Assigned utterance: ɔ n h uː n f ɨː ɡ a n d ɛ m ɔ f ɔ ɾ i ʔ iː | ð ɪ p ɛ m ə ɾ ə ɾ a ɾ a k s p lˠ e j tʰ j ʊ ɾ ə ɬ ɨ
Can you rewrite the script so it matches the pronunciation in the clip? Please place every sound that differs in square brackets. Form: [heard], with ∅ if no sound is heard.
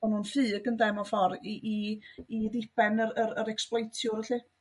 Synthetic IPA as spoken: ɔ n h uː n f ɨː ɡ [ə] n d ɛ m ɔ f ɔ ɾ i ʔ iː | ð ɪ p ɛ [n] ə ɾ ə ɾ [ə] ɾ [ɛ] k s p lˠ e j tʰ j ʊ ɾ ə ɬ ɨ